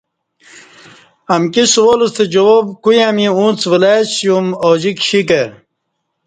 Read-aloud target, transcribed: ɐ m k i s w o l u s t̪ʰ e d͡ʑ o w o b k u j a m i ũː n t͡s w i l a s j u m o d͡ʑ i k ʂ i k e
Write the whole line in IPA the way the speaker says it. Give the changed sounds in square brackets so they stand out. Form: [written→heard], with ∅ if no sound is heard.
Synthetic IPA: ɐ m k i s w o l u s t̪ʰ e d͡ʑ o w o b k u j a m i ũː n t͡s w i l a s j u m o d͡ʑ i k [ʂ→ɕ] i k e